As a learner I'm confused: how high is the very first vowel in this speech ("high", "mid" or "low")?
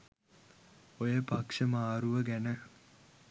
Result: mid